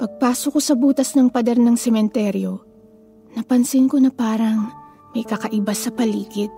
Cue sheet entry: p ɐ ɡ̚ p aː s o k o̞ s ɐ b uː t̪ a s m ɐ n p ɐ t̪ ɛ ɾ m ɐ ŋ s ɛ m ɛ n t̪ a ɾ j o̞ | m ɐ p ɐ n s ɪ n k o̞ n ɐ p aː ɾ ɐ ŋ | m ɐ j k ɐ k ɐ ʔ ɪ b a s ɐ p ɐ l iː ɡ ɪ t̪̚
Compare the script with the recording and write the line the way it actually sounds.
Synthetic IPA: p ɐ ɡ̚ p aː s o k o̞ s ɐ b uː t̪ ɐ s n ɐ ŋ p ɐ d̪ ɛ ɾ n ɐ ŋ s ɛ m ɛ n t̪ ɛ ɾ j o̞ | n ɐ p ɐ n s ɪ n k o̞ n ɐ p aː ɾ ɐ ŋ | m ɐ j k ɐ k ɐ ʔ ɪ b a s ɐ p ɐ l iː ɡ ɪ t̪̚